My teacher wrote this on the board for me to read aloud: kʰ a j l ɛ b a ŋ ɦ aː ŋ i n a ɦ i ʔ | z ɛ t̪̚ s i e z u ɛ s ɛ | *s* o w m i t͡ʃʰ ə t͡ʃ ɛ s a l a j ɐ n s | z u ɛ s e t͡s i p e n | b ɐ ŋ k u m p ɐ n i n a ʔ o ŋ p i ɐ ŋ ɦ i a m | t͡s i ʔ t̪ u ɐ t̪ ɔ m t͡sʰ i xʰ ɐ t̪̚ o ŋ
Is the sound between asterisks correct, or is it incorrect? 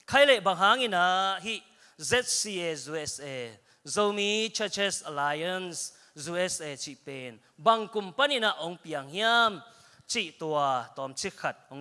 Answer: incorrect: z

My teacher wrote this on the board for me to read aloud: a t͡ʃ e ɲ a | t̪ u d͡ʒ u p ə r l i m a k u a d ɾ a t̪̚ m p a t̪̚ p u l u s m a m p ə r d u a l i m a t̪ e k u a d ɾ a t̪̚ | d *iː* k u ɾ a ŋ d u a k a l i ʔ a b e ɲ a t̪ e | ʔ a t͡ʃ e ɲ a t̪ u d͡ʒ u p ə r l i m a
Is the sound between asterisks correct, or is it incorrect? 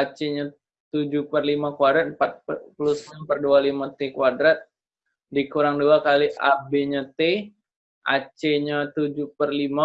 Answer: incorrect: i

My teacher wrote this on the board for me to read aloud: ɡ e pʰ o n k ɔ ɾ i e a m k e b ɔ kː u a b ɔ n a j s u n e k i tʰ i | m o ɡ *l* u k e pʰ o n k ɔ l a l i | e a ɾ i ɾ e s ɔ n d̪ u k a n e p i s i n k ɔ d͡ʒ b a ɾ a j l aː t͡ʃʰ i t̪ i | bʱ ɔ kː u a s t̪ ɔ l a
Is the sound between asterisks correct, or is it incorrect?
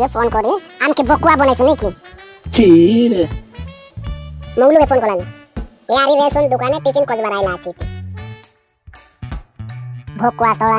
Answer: correct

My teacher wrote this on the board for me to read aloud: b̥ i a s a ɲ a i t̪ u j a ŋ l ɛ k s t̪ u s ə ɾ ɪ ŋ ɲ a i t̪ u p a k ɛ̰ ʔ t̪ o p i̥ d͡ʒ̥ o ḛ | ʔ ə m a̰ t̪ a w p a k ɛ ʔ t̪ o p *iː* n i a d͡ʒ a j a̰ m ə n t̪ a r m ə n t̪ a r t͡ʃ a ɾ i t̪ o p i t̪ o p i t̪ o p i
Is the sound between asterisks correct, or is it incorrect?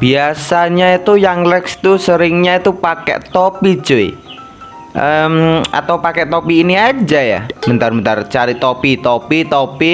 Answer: correct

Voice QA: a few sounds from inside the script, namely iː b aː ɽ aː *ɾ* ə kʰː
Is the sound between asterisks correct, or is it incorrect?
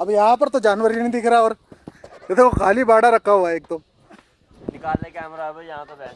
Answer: correct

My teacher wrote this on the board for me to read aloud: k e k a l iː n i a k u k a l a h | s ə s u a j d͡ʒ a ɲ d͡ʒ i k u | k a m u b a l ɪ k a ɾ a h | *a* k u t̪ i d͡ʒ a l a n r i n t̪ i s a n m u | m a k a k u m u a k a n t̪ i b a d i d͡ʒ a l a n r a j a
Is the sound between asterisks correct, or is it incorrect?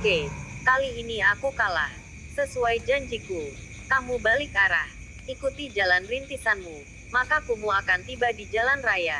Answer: incorrect: i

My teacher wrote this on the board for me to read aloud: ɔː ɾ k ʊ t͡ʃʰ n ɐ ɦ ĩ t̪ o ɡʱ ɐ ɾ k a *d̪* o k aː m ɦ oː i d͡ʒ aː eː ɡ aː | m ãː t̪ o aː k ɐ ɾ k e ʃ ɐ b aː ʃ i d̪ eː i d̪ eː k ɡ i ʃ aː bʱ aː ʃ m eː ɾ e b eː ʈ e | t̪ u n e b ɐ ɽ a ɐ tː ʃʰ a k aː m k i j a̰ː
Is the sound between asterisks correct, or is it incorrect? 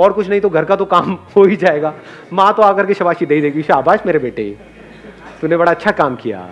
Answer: incorrect: t̪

